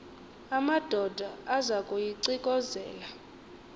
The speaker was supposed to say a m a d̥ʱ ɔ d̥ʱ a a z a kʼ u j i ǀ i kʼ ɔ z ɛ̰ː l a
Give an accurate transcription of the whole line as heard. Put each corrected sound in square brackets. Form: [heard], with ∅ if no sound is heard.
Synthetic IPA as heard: a m a d̥ʱ ɔ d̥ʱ a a z a kʼ u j i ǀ i kʼ ɔ z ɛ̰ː l a